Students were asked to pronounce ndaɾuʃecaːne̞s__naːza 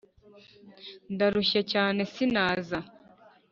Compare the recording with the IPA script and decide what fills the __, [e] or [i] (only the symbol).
i